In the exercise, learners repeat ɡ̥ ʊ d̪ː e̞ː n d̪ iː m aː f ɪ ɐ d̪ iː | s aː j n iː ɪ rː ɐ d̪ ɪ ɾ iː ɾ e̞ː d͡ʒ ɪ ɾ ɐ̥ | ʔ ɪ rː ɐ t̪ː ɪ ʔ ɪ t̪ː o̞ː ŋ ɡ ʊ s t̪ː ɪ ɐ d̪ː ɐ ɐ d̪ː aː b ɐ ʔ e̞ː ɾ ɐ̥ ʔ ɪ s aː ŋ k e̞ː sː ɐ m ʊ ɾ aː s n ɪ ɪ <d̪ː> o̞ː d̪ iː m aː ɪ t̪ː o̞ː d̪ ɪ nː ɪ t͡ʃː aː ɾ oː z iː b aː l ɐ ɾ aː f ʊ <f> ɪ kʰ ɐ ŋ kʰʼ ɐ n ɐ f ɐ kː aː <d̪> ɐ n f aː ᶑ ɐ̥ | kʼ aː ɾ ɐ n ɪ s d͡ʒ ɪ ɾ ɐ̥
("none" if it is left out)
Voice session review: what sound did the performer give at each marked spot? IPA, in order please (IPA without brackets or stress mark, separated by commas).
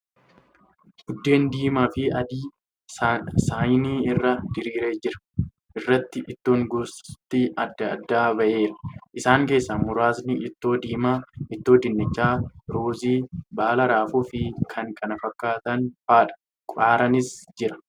t̪ː, f, t̪